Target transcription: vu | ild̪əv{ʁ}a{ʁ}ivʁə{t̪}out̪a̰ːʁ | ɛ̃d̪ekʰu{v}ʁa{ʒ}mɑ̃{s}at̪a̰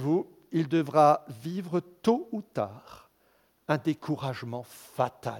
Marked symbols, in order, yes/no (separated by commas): yes, no, yes, no, yes, no